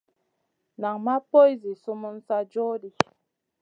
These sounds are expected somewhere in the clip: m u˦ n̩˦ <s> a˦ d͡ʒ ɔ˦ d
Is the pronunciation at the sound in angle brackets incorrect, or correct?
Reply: correct